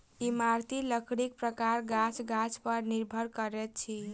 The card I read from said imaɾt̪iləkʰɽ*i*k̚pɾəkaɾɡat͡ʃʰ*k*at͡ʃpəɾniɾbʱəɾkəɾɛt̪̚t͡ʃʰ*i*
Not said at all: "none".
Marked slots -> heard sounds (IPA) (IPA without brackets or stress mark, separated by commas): i, ɡ, i